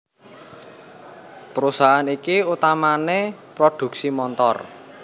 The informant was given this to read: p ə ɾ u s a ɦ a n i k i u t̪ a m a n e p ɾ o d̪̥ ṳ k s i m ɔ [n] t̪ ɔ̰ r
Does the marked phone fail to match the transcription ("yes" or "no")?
no